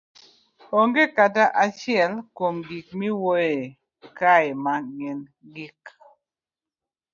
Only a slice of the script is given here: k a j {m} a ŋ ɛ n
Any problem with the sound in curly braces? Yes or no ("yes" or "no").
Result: no